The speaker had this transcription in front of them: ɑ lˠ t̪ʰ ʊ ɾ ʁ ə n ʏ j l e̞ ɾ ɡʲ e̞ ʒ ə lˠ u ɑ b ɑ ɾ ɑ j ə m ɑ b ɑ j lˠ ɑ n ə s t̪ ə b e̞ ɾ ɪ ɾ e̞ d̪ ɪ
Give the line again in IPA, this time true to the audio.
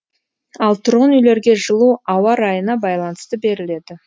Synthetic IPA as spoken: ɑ lˠ t̪ʰ ʊ ɾ ʁ ə n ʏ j l e̞ ɾ ɡʲ e̞ ʒ ə lˠ u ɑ w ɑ ɾ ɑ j ə n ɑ b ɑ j lˠ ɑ n ə s t̪ ə b e̞ ɾ ɪ l e̞ d̪ ɪ